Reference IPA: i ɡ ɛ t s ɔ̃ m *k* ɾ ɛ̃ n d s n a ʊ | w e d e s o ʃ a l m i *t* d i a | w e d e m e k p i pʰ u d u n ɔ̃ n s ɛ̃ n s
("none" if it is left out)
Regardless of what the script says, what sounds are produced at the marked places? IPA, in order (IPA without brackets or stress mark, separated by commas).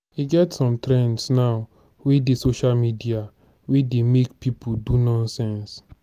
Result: t, none